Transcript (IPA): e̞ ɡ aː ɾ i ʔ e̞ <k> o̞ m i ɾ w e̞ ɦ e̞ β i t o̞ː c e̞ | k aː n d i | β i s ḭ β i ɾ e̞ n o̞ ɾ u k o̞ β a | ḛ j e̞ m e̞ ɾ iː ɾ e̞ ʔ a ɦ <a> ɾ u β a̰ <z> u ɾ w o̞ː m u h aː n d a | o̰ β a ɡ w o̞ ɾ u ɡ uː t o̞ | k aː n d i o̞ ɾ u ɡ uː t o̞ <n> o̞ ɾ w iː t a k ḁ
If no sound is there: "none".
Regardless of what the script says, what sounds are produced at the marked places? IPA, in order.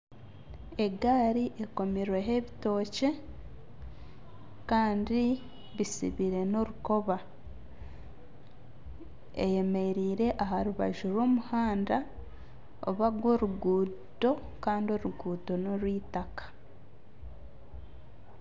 k, a, ʒ, n

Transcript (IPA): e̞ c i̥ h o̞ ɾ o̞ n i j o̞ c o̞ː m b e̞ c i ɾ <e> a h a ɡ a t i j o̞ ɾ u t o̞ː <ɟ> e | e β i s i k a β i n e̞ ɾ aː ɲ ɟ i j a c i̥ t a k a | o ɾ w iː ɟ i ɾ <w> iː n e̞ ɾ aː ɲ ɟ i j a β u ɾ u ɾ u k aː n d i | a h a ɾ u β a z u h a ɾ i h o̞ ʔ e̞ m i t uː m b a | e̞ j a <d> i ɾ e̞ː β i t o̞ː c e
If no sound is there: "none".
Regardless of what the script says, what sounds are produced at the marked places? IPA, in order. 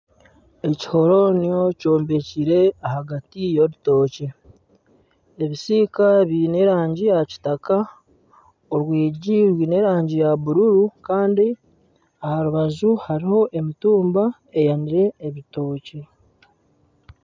e, c, w, n

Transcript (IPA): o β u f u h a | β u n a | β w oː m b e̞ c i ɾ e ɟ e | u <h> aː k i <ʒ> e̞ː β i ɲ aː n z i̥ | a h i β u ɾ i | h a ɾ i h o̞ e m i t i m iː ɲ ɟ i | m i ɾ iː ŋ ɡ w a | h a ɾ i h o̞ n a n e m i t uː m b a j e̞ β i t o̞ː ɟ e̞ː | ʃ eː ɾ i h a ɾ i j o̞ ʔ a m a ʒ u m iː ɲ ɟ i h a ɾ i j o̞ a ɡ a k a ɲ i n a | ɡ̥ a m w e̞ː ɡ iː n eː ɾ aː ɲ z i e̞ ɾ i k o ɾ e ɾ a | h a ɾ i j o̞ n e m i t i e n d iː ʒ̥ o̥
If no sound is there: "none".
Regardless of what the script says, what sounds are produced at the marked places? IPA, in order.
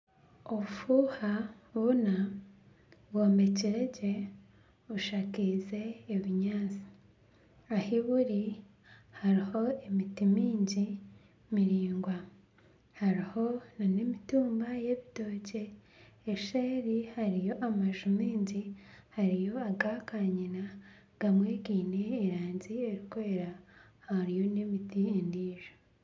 ʃ, z

